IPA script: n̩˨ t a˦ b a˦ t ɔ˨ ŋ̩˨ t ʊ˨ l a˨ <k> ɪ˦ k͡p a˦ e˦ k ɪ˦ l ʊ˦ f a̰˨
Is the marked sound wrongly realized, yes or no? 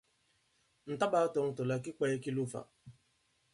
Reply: no